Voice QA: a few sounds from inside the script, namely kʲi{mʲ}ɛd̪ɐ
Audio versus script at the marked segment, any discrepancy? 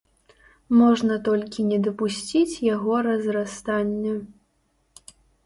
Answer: yes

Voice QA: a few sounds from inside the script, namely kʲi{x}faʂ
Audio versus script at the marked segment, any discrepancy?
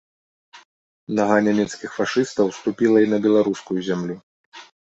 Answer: no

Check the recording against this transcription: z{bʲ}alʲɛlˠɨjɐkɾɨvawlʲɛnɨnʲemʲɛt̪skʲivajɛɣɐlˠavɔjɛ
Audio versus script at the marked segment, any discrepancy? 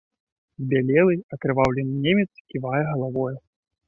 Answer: no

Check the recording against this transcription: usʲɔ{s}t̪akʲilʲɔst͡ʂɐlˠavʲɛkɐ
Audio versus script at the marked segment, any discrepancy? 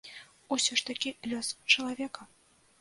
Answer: yes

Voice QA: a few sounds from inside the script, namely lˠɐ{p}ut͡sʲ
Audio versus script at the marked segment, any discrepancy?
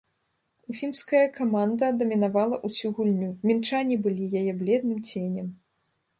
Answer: yes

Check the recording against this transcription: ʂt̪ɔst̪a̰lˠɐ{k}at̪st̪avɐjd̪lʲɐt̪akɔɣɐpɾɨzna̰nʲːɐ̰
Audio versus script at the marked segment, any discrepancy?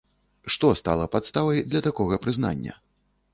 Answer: yes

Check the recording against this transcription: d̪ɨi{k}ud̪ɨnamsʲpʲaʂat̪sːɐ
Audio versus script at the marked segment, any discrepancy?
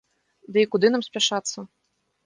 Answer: no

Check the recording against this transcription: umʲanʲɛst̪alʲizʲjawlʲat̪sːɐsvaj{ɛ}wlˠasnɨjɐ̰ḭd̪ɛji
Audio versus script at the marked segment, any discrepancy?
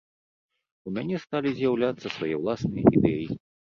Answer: no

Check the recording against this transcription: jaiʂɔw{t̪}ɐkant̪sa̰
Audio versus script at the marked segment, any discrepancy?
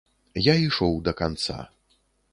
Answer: yes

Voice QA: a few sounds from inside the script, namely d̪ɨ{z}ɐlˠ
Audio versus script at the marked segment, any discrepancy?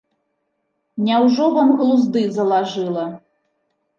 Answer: no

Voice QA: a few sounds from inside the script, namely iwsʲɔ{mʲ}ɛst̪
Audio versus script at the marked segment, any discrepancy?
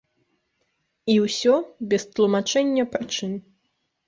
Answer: yes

